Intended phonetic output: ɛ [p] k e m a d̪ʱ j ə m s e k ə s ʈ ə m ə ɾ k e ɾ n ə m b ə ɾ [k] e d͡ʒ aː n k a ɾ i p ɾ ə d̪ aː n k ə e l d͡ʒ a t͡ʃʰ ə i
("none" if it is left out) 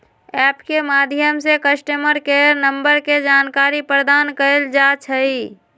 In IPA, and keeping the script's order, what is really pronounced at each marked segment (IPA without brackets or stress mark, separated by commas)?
p, k